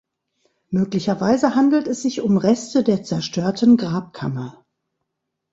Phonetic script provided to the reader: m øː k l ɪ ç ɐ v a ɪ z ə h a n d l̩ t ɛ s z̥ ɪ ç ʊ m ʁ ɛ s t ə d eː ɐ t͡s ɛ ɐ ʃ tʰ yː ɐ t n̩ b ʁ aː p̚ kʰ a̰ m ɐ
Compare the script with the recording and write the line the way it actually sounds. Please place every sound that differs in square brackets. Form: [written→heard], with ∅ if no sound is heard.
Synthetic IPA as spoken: m øː k l ɪ ç ɐ v a ɪ z ə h a n d l̩ t ɛ s z̥ ɪ ç ʊ m ʁ ɛ s t ə d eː ɐ t͡s ɛ ɐ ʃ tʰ [yː→øː] ɐ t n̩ [b→ɡ] ʁ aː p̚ kʰ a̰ m ɐ